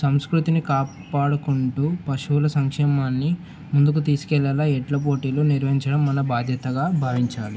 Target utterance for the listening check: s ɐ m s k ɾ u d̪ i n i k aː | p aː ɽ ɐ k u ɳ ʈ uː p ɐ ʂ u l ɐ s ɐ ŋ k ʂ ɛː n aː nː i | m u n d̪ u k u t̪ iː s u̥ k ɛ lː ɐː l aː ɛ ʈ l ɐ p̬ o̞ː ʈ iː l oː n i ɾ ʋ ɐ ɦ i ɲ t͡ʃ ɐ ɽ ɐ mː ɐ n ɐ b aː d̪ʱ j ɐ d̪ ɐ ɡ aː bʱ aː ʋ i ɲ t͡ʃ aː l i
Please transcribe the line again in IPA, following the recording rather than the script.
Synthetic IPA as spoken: s ɐ m s k ɾ u t̪ i n i k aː | p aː ɽ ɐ k u ɳ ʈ uː p ɐ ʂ u l ɐ s ɐ ŋ k ʂ ɛː m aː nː i | m u n d̪ u k u t̪ iː s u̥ k ɛ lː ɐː l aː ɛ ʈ l ɐ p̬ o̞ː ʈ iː l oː n i ɾ ʋ ɐ ɦ i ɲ t͡ʃ ɐ ɽ ɐ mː ɐ n ɐ b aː d̪ʱ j ɐ t̪ ɐ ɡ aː bʱ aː ʋ i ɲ t͡ʃ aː l i